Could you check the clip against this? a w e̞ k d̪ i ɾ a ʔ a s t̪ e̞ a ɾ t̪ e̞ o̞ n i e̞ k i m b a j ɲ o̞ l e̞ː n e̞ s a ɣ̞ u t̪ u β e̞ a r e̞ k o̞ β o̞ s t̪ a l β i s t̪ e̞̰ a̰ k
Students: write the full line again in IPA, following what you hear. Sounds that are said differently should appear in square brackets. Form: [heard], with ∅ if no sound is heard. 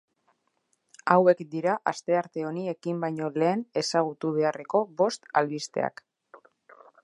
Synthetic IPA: a w e̞ k d̪ i ɾ a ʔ a s t̪ e̞ a ɾ t̪ e̞ o̞ n i e̞ k i m b a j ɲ o̞ l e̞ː n e̞ s a ɣ̞ u t̪ u β e̞ a r e̞ k o̞ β o̞ s t̪ a l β i s t̪ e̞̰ a̰ k